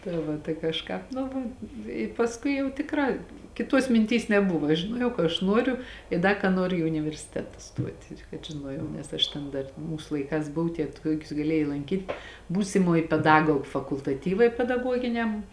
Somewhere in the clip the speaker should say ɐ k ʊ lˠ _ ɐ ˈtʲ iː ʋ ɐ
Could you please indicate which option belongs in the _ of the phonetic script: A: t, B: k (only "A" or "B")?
A